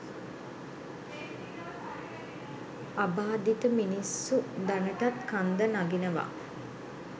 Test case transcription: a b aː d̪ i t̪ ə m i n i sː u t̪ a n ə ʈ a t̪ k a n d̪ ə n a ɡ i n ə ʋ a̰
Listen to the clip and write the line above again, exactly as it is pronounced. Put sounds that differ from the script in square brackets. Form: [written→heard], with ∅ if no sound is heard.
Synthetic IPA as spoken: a b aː d̪ i t̪ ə m i n i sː u [t̪→d̪] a n ə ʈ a t̪ k a n d̪ ə n a ɡ i n ə ʋ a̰